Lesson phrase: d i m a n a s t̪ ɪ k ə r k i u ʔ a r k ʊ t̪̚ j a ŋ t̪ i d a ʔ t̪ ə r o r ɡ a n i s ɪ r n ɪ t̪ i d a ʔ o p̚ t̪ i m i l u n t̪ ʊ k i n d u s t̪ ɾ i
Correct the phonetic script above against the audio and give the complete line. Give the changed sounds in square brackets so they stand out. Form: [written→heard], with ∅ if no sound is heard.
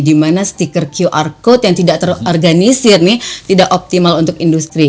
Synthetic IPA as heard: d i m a n a s t̪ [ɪ→i] k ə r k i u ʔ a r k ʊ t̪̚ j a ŋ t̪ i d a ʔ t̪ ə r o r ɡ a n i s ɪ r n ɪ t̪ i d a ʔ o p̚ t̪ i m [i→a] l u n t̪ ʊ k i n d u s t̪ ɾ i